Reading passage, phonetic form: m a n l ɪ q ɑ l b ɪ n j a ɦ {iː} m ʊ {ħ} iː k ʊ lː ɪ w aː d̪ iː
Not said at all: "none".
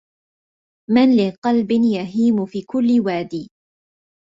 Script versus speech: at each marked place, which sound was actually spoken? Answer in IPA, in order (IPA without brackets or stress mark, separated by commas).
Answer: iː, f